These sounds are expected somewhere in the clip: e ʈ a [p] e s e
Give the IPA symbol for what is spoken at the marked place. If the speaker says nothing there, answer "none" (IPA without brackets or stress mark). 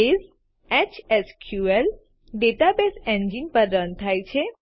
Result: b